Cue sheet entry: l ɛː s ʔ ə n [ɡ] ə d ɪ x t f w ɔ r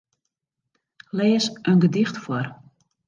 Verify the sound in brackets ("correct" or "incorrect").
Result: correct